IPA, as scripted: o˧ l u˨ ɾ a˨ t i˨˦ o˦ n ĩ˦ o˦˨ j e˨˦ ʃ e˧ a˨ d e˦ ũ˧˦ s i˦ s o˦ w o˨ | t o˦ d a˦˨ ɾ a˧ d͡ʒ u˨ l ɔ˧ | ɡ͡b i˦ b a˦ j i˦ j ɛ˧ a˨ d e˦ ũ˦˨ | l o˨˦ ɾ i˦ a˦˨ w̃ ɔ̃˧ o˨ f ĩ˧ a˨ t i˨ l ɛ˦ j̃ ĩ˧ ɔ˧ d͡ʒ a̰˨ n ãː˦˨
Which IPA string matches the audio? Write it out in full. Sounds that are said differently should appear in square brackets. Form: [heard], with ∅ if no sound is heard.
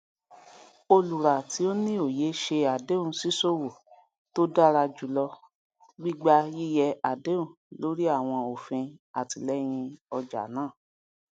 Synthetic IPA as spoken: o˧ l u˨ ɾ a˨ t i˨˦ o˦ n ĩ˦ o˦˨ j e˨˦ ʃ e˧ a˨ d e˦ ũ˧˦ s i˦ s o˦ w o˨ | t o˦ d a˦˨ ɾ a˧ d͡ʒ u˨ l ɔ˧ | ɡ͡b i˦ [ɡ͡b] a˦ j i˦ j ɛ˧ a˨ d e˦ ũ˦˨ | l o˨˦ ɾ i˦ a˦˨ w̃ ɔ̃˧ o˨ f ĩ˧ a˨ t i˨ l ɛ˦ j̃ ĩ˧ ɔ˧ d͡ʒ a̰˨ n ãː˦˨